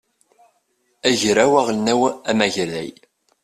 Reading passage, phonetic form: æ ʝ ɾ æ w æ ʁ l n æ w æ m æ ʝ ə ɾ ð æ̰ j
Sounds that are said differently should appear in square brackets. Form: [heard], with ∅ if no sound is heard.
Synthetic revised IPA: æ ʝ ɾ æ w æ ʁ l n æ w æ m æ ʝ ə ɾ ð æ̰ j